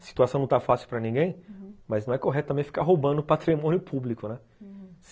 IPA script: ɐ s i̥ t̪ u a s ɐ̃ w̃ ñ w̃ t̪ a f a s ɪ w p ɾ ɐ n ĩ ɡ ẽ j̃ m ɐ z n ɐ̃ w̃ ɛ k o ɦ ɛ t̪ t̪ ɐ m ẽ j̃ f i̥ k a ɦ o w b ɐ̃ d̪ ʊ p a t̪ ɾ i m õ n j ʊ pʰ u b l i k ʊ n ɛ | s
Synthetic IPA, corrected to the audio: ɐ s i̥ t̪ u a s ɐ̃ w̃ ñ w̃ t̪ a f a s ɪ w p ɾ ɐ n ĩ ɡ ẽ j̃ m ɐ z n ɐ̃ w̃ ɛ k o ɦ ɛ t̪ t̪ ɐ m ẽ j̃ f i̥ k a ɦ o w b ɐ̃ d̪ ʊ p a t̪ ɾ i m õ n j ʊ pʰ u b l i k ʊ n ɛ | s